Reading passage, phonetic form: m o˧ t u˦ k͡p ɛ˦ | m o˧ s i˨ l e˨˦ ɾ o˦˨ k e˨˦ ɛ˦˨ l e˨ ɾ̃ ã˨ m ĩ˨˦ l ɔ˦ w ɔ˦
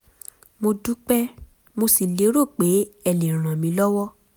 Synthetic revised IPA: m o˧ d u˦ k͡p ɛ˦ | m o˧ s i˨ l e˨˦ ɾ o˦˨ k͡p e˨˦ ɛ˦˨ l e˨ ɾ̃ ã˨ m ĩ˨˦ l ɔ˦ w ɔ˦